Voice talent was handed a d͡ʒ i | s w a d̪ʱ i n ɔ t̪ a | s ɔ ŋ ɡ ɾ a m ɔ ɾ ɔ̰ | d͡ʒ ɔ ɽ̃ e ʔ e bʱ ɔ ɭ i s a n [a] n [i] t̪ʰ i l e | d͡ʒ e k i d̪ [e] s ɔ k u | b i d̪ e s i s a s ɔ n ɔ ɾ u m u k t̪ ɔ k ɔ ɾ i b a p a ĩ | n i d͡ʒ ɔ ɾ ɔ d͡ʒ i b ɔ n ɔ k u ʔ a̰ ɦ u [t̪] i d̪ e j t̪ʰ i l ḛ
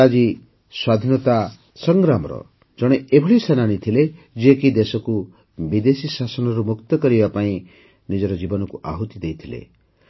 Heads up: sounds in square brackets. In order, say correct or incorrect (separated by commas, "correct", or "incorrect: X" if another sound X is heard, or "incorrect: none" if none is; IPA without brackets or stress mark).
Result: correct, correct, correct, correct